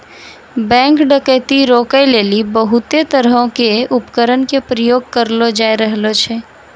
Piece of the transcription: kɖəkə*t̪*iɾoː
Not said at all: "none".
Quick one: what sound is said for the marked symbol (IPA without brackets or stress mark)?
t̪